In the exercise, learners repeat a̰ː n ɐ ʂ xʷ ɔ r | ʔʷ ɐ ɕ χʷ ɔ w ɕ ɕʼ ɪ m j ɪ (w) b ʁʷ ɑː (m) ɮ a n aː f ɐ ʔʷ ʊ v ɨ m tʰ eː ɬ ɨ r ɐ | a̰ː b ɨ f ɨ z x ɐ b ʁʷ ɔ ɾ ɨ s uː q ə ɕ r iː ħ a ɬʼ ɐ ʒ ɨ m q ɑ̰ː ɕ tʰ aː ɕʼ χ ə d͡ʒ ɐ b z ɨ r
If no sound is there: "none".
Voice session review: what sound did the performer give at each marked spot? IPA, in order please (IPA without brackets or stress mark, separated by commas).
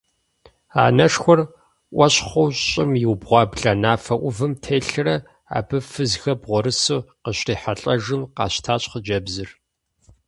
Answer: w, b